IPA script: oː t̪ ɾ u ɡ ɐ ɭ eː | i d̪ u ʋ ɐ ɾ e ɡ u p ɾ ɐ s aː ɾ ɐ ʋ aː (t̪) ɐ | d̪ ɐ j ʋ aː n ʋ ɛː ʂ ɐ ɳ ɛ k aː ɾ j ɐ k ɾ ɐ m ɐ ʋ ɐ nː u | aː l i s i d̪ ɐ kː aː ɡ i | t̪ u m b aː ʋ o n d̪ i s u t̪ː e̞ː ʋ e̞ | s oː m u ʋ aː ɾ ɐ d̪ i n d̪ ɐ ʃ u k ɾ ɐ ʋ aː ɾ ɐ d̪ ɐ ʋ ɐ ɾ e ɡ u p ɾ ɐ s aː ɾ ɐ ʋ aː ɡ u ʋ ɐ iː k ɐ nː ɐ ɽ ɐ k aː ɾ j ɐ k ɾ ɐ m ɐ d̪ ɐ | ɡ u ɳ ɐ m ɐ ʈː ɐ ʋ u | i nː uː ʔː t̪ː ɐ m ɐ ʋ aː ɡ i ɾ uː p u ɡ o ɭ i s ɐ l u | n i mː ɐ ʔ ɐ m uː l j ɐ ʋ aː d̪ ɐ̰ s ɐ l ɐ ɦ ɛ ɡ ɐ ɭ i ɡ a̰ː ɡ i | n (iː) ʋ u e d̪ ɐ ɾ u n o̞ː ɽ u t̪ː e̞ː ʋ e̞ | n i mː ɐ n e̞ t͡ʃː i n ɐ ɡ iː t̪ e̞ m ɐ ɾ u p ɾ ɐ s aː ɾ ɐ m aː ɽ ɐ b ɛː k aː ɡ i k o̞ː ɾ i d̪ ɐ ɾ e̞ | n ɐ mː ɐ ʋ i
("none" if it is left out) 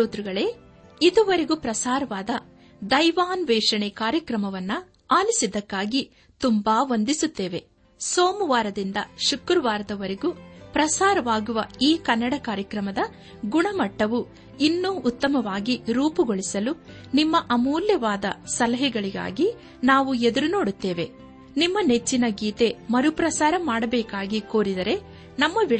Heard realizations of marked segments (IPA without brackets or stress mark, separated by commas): d̪, aː